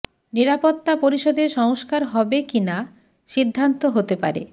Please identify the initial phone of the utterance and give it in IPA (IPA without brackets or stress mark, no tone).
n